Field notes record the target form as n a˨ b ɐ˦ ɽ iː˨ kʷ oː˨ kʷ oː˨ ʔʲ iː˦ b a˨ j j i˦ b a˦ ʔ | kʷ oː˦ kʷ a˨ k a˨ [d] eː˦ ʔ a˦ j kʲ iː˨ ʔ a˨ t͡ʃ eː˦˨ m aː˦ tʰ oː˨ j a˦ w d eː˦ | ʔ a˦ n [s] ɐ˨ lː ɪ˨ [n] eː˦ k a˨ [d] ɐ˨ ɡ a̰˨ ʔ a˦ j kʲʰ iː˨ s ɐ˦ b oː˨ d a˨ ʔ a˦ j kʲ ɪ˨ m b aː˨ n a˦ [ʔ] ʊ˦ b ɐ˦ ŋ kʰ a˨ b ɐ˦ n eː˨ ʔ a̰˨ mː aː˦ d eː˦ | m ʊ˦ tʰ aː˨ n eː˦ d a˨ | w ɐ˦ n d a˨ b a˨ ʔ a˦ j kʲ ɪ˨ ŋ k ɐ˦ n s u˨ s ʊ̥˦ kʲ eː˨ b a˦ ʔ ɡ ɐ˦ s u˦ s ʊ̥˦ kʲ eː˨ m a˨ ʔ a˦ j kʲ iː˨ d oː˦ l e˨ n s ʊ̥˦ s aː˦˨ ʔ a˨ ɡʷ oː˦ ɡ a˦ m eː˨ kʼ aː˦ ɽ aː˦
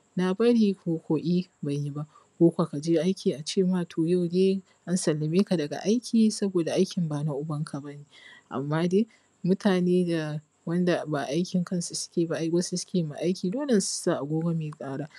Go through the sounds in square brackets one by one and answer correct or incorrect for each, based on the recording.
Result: incorrect: d͡ʒ, correct, incorrect: m, correct, correct

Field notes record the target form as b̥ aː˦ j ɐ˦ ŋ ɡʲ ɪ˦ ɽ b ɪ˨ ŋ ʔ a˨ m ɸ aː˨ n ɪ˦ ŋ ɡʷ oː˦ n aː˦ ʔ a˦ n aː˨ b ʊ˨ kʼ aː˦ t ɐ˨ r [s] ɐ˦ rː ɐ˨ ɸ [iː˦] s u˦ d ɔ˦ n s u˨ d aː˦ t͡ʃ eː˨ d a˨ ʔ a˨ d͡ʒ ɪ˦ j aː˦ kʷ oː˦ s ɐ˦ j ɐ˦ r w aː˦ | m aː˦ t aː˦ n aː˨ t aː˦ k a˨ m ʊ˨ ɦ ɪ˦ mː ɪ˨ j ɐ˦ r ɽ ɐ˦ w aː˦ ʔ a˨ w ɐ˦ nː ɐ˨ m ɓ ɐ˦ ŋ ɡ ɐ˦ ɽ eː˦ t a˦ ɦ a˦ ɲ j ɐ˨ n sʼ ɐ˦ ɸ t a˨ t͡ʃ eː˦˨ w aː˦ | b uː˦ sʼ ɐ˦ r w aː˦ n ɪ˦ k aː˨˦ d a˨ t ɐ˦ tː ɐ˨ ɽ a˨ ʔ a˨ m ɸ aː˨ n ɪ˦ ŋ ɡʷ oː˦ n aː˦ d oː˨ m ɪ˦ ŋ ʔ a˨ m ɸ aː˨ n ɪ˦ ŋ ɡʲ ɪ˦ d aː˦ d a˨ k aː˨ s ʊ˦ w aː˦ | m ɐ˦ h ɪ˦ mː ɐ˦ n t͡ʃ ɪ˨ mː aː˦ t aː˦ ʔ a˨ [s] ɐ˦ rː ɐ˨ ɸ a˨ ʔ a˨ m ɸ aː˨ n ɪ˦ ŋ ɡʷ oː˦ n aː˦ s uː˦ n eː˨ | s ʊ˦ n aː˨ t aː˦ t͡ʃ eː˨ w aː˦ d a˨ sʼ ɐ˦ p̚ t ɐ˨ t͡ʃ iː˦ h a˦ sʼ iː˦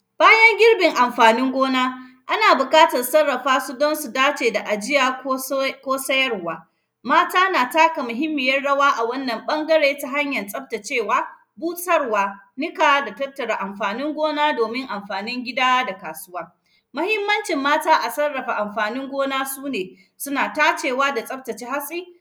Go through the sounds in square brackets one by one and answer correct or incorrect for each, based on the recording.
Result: correct, incorrect: aː˦, correct

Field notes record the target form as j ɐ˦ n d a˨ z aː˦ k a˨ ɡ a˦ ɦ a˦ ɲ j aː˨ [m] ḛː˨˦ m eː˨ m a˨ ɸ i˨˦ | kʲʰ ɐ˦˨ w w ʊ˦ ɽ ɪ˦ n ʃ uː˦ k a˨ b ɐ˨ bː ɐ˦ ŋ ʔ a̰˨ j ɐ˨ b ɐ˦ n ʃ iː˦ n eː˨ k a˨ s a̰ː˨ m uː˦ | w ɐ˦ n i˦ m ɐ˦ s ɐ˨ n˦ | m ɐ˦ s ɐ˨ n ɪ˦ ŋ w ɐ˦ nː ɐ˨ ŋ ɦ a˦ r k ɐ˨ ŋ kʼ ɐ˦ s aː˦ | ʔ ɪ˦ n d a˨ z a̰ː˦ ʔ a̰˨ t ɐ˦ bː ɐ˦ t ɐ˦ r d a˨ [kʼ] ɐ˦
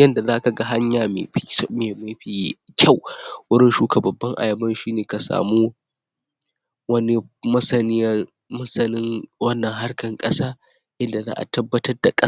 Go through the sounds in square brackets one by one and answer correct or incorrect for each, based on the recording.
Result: correct, correct

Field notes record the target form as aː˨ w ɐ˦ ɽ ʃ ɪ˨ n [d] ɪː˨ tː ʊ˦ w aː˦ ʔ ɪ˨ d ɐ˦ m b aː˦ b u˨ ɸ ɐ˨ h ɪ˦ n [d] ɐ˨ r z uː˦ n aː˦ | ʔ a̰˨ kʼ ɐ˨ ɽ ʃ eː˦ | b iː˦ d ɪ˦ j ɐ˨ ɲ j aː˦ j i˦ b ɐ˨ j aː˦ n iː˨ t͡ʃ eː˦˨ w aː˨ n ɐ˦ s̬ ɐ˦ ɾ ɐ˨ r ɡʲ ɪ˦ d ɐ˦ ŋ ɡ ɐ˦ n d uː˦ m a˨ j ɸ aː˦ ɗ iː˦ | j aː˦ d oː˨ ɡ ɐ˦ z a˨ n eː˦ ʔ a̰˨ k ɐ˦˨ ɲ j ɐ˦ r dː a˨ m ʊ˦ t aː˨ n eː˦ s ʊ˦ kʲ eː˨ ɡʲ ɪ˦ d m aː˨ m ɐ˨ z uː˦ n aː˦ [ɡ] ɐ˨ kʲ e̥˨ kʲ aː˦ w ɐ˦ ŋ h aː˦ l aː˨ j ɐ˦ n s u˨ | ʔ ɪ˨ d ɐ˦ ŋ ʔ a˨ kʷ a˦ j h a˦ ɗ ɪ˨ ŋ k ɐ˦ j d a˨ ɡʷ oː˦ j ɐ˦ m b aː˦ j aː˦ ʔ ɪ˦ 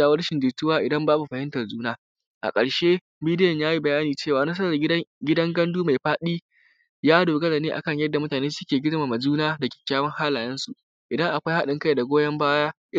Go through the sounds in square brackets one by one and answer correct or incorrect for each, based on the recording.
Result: correct, incorrect: t, incorrect: d

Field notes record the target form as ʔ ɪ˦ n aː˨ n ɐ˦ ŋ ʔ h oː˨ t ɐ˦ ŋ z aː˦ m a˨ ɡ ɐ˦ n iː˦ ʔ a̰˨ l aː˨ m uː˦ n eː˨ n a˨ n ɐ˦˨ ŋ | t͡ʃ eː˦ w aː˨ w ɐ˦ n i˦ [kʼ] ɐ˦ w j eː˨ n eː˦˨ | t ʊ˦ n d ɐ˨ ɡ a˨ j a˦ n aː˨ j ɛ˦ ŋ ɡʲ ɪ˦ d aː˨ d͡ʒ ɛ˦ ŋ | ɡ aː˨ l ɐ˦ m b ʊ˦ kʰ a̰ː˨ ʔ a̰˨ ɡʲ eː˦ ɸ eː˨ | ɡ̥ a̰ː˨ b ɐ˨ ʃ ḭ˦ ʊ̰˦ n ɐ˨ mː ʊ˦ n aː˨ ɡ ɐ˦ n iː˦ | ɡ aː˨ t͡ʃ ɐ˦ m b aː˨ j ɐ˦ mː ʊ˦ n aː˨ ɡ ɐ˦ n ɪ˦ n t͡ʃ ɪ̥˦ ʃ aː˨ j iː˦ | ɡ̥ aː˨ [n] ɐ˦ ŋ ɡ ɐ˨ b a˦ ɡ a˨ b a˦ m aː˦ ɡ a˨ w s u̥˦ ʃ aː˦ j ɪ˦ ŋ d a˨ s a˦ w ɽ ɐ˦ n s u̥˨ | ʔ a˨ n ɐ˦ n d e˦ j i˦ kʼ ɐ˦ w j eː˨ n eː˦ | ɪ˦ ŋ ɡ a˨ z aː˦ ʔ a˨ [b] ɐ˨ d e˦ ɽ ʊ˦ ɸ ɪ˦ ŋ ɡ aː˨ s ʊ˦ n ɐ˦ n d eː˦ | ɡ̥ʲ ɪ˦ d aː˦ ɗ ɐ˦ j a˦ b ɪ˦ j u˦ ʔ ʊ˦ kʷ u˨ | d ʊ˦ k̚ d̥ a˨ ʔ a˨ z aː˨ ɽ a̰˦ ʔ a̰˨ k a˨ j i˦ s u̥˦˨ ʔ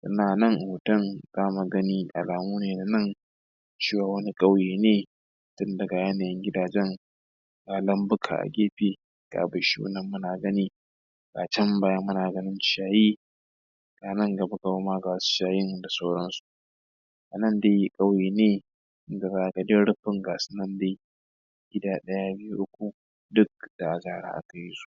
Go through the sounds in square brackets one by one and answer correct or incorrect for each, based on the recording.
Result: correct, correct, incorrect: ɡ

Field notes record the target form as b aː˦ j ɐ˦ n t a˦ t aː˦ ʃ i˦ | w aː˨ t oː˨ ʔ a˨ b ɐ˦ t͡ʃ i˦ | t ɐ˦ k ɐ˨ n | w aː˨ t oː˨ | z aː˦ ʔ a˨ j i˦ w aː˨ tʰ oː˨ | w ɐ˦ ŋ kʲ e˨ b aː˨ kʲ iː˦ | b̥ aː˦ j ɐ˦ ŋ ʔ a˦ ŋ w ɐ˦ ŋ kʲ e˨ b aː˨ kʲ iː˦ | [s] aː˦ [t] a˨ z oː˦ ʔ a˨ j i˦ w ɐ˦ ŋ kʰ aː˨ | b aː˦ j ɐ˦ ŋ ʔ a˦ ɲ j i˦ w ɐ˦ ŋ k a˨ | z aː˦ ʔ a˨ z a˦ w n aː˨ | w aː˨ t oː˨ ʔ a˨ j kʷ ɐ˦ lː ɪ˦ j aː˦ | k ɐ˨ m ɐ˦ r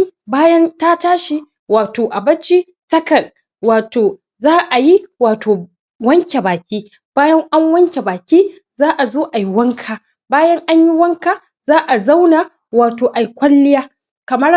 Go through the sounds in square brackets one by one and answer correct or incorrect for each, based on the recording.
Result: incorrect: z, incorrect: ʔ

